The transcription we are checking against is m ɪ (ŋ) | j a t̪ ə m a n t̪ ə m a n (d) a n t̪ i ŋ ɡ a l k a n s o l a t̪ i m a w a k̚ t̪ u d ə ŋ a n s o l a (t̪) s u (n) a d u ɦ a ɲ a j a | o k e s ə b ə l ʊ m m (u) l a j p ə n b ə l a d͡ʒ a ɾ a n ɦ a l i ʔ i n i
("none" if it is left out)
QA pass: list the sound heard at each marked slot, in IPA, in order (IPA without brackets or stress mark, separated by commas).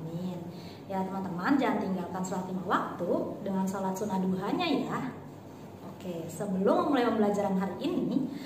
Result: n, d͡ʒ, t̪, n, u